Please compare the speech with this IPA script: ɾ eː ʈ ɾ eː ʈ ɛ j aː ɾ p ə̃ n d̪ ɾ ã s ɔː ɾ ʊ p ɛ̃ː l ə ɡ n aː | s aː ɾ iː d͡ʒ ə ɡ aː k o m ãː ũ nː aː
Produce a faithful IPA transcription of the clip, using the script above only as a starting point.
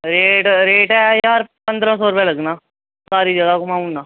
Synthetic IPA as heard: ɾ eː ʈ ɾ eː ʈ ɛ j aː ɾ p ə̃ n d̪ ɾ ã s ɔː ɾ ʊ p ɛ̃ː l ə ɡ n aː | s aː ɾ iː d͡ʒ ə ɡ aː k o m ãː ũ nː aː